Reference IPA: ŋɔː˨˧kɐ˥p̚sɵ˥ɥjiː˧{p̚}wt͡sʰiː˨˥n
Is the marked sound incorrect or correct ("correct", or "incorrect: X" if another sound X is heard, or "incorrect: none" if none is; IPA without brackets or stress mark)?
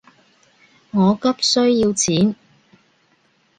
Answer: incorrect: none